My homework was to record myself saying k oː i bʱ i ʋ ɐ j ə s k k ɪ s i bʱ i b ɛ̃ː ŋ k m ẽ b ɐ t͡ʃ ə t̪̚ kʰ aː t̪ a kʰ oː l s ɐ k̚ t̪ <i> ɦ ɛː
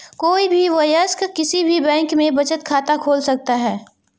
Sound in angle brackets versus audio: incorrect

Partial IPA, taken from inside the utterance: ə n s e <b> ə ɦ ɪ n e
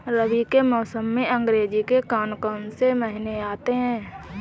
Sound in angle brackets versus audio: incorrect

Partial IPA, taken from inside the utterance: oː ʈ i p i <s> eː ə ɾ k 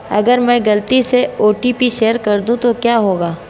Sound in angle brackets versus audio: incorrect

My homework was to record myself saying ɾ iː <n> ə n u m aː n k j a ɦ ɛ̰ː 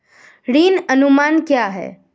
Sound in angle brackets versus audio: correct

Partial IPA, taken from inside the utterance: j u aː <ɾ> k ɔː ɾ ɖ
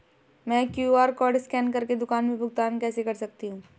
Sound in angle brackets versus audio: correct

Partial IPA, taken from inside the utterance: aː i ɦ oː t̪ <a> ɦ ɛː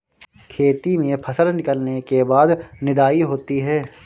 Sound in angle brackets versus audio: incorrect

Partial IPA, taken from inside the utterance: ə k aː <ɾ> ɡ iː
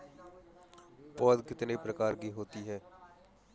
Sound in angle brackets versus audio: correct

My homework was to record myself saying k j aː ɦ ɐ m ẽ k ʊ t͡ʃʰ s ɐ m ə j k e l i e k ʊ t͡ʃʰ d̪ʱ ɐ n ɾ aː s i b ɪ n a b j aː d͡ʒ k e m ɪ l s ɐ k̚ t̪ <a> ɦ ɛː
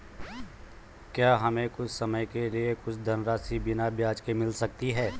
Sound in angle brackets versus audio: incorrect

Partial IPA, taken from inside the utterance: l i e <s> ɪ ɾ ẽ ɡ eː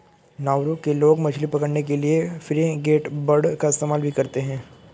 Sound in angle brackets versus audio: incorrect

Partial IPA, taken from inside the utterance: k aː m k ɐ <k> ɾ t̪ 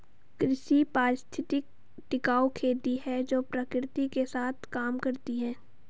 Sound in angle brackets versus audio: incorrect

